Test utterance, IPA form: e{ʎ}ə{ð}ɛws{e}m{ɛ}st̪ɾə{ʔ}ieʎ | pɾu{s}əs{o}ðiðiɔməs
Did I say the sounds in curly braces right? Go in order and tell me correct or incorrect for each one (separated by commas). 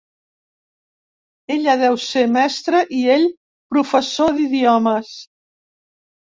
correct, correct, correct, correct, correct, incorrect, correct